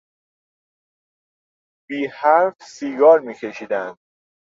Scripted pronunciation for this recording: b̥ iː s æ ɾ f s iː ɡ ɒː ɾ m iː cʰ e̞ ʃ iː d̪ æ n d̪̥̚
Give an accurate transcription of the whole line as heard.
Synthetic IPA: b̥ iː h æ ɾ f s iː ɡ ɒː ɾ m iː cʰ e̞ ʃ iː d̪ æ n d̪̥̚